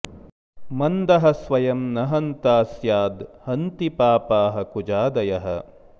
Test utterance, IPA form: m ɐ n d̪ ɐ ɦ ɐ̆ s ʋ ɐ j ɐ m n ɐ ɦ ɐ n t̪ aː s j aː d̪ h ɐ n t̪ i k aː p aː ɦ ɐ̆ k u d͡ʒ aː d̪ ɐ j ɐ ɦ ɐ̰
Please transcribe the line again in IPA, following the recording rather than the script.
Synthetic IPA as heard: m ɐ n d̪ ɐ ɦ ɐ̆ s ʋ ɐ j ɐ m n ɐ ɦ ɐ n t̪ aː s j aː d̪ h ɐ n t̪ i p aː p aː ɦ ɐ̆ k u d͡ʒ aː d̪ ɐ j ɐ ɦ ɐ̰